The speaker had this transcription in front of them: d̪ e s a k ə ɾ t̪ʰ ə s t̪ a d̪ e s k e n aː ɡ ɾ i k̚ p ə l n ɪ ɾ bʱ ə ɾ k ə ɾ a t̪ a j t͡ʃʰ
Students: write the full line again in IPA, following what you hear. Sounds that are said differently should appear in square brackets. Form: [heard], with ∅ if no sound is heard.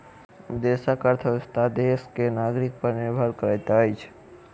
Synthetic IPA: d̪ e s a k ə ɾ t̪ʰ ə s t̪ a d̪ e s k e n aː ɡ ɾ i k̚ p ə [ɾ] n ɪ ɾ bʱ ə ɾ k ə ɾ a t̪ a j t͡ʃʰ